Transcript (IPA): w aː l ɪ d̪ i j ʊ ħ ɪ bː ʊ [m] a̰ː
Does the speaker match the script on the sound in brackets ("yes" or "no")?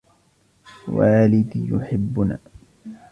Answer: no